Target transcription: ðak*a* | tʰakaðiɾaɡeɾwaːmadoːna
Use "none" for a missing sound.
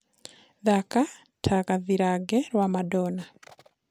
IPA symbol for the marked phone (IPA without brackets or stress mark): a